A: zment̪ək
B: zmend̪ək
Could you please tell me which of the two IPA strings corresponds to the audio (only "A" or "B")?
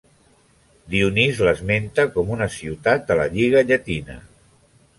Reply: A